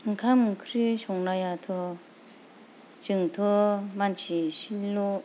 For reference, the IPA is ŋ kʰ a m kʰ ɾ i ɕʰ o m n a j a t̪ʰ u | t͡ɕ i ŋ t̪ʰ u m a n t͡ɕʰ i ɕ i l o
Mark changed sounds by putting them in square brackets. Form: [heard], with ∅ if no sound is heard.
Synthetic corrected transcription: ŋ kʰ a m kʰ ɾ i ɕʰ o [ŋ] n a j a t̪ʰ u | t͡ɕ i ŋ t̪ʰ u m a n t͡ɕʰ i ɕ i l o